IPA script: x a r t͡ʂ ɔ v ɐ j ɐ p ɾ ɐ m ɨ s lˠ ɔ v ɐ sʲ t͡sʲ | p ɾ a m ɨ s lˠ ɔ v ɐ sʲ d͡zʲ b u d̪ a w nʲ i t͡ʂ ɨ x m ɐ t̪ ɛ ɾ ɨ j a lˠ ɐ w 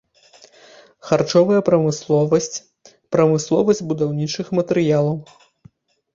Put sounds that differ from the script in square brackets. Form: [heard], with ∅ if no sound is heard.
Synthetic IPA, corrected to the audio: x a r t͡ʂ ɔ v ɐ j ɐ p ɾ ɐ m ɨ s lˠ ɔ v ɐ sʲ t͡sʲ | p ɾ [ɐ] m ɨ s lˠ ɔ v ɐ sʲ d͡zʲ b u d̪ a w nʲ i t͡ʂ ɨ x m ɐ t̪ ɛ ɾ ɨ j a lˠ ɐ w